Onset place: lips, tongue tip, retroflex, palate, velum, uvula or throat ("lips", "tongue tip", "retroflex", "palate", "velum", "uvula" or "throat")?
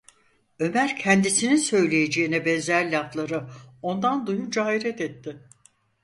lips